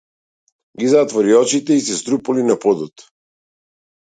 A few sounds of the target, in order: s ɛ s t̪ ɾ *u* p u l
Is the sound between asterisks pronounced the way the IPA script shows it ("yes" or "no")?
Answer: yes